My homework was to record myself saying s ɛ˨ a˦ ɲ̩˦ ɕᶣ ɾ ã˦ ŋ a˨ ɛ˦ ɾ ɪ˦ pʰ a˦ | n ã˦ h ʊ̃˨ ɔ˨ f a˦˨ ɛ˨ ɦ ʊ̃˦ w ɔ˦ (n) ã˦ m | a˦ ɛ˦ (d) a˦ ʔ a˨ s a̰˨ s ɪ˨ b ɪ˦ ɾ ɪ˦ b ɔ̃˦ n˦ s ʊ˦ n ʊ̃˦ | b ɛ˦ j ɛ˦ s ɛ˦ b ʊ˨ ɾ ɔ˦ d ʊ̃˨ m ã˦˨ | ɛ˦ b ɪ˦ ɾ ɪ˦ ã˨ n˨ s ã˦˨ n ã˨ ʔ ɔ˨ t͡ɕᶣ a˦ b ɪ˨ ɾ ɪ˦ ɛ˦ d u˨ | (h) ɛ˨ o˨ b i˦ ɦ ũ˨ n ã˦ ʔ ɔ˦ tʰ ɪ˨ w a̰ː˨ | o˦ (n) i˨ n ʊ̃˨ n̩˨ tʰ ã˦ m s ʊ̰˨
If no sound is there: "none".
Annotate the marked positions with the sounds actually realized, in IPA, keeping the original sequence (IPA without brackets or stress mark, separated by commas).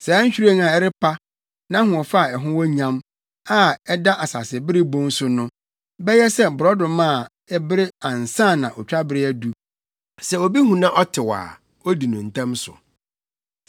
ɲ, d, s, d